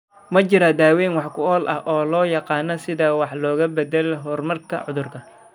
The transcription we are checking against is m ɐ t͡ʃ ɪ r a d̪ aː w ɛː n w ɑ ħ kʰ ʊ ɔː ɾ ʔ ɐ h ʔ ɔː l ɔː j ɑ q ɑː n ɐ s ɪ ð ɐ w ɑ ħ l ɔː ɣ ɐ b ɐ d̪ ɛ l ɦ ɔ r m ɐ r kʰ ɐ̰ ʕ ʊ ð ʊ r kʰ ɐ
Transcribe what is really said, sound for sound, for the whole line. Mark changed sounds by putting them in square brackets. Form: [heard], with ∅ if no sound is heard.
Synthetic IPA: m ɐ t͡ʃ ɪ [ɾ] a d̪ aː w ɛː n w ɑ ħ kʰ ʊ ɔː [l] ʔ ɐ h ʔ ɔː l ɔː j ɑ q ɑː n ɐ s ɪ ð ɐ w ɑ ħ l ɔː ɣ ɐ b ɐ d̪ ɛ l ɦ ɔ r m ɐ r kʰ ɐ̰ ʕ ʊ ð ʊ r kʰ ɐ